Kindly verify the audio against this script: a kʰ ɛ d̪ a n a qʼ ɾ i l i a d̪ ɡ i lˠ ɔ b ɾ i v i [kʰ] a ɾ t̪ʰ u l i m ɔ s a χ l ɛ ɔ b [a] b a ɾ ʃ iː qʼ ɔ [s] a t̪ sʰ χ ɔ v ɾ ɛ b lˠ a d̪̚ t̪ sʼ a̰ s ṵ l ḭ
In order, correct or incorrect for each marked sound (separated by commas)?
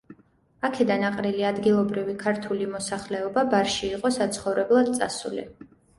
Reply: correct, correct, correct